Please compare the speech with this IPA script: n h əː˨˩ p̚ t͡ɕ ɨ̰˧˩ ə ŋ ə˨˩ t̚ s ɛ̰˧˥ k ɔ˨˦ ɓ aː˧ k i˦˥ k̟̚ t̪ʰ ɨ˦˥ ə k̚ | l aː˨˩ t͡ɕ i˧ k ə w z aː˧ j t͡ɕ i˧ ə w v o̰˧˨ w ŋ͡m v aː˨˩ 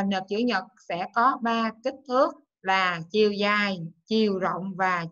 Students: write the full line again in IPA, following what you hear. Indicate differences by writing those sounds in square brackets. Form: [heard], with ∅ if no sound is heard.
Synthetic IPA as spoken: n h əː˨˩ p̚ t͡ɕ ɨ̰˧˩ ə [ɲ] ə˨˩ t̚ s ɛ̰˧˥ k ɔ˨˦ ɓ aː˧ k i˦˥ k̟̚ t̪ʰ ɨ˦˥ ə k̚ | l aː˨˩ t͡ɕ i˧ [∅] ə w z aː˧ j t͡ɕ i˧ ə w [z] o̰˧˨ w ŋ͡m v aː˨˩